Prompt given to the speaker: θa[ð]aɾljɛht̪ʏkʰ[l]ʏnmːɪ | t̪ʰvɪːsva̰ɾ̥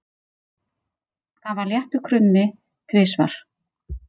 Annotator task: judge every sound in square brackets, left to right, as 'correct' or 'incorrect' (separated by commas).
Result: incorrect, incorrect